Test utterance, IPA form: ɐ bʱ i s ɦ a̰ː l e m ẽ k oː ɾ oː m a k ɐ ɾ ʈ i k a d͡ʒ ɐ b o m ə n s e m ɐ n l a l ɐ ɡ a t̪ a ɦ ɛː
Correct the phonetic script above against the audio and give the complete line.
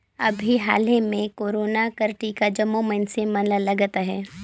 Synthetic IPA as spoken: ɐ bʱ i ɦ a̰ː l e m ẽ k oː ɾ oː n a k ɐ ɾ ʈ i k a d͡ʒ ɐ m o m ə n s e m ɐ n l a l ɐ ɡ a t̪ a ɦ ɛː